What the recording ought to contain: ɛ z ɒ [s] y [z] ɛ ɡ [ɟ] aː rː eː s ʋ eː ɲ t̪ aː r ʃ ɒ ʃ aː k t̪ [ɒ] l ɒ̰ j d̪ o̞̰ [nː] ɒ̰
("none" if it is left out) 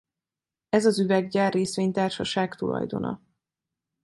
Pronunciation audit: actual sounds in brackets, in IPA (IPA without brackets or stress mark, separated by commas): z, v, ɟ, u, n